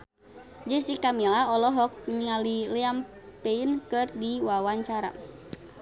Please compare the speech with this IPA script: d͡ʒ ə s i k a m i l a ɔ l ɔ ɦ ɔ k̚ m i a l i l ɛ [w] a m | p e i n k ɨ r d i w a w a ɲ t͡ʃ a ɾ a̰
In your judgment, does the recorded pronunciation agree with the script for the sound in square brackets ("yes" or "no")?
no